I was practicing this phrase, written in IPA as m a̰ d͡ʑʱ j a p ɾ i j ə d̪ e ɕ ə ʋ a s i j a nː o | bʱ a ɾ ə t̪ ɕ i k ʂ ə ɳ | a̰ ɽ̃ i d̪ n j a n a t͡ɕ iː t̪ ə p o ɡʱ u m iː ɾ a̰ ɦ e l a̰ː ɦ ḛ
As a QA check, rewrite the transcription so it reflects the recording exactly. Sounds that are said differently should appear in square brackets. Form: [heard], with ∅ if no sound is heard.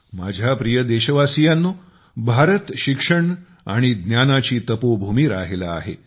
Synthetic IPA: m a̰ d͡ʑʱ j a p ɾ i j ə d̪ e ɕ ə ʋ a s i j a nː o | bʱ a ɾ ə t̪ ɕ i k ʂ ə ɳ | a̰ ɽ̃ i d̪ n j a n a t͡ɕ iː t̪ ə p o [bʱ] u m iː ɾ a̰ ɦ e l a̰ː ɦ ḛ